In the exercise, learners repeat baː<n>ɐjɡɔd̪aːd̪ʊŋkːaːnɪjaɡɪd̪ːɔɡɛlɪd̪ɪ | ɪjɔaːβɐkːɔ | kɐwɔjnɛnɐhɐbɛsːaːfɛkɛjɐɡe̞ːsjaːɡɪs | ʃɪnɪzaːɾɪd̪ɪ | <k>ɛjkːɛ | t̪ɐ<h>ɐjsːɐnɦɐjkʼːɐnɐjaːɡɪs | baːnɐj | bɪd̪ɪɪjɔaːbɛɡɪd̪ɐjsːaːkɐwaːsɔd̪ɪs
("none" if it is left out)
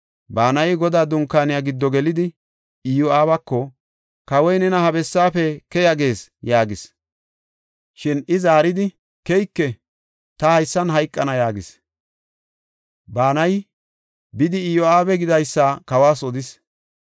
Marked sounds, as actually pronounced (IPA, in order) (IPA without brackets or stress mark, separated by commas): n, k, h